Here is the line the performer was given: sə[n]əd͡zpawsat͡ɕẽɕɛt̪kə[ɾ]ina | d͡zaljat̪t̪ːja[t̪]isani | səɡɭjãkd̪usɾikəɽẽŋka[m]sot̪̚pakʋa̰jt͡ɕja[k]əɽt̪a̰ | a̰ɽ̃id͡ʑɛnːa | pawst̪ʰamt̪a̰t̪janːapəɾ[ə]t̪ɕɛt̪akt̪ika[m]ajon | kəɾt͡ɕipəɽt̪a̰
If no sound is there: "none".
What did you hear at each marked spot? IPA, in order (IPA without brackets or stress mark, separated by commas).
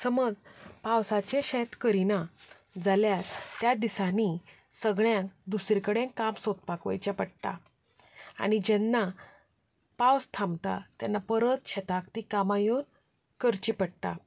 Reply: m, ɾ, d̪, m, p, ə, m